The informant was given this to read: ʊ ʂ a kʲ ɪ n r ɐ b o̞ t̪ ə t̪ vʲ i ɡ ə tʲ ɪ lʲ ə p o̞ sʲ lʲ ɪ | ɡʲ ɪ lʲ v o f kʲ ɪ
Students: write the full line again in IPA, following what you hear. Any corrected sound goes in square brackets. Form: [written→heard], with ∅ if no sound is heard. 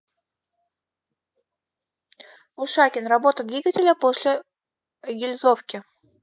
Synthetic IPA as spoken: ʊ ʂ a kʲ ɪ n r ɐ b o̞ t̪ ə [t̪→d̪] vʲ i ɡ ə tʲ ɪ lʲ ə p o̞ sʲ lʲ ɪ | ɡʲ ɪ lʲ [v→z] o f kʲ ɪ